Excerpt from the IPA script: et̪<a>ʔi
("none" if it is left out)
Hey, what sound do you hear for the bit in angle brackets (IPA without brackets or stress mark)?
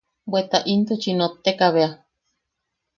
a